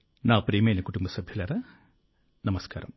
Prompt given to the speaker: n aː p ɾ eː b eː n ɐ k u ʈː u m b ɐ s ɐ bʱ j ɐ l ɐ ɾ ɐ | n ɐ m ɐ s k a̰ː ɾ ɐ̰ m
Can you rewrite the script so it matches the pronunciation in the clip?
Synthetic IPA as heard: n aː p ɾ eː m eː n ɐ k u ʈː u m b ɐ s ɐ bʱ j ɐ l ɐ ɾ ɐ | n ɐ m ɐ s k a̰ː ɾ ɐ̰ m